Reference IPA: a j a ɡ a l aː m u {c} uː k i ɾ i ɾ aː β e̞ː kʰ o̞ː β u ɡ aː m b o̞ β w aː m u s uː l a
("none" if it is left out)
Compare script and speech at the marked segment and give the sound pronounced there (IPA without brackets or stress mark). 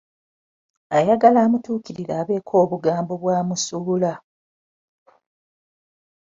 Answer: t